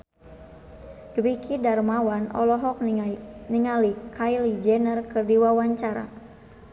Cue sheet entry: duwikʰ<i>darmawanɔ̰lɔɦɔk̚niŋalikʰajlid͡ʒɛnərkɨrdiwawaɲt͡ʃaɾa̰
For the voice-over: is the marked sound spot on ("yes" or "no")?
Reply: yes